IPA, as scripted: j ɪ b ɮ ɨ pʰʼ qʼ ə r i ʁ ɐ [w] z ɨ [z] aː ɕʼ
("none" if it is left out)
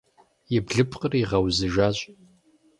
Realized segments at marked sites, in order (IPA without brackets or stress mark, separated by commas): w, ʒ